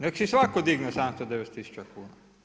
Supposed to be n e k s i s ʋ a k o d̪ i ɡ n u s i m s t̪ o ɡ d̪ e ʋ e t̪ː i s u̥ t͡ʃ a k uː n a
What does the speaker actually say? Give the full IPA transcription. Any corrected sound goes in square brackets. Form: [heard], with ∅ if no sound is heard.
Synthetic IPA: n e k s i s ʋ a k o d̪ i ɡ n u s [a] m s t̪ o [∅] d̪ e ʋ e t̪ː i s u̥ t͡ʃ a k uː n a